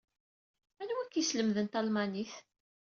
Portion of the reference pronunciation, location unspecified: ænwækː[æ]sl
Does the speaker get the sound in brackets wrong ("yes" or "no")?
yes